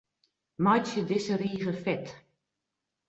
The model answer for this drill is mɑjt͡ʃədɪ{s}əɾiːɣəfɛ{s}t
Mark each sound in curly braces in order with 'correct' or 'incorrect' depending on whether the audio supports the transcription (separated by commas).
correct, incorrect